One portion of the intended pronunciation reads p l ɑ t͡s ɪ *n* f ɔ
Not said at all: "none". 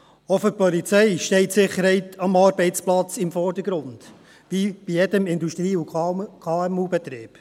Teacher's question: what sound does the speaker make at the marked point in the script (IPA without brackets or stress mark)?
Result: m